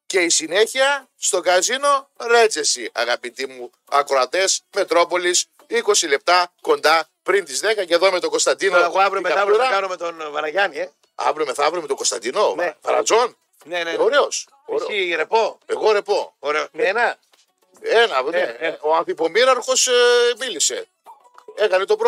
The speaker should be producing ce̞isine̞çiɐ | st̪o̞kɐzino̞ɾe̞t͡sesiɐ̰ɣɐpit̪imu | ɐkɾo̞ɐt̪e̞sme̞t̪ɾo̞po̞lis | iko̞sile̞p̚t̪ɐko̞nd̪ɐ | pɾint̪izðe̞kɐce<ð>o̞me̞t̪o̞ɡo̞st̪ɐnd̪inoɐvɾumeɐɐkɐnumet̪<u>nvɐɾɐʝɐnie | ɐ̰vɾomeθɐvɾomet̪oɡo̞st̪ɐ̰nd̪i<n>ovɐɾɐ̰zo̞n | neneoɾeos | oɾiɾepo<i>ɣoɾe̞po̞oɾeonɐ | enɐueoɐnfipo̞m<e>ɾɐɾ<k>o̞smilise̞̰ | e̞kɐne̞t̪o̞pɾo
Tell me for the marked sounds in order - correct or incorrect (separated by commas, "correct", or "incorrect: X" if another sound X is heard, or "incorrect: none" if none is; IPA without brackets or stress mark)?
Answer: correct, incorrect: o, correct, incorrect: e, incorrect: i, incorrect: x